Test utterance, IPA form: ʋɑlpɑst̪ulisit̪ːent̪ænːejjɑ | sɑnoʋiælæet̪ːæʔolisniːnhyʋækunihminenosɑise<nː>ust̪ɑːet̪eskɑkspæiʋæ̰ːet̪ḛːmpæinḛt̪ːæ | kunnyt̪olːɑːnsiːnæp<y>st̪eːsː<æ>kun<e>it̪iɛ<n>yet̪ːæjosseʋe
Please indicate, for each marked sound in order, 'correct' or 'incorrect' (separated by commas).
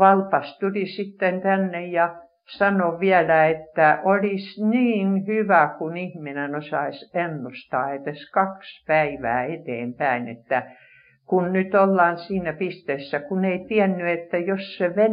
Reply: correct, incorrect, correct, correct, incorrect